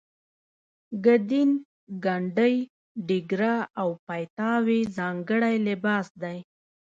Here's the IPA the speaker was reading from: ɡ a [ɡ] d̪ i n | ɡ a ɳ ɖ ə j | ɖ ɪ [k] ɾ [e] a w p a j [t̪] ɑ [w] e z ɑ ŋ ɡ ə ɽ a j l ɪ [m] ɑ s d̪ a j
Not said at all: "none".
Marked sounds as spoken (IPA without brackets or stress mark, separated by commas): none, ɡ, a, t̪, w, b